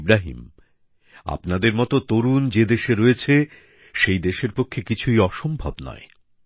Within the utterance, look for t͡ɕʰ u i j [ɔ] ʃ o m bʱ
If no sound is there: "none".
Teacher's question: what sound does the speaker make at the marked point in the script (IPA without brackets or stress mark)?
ɔ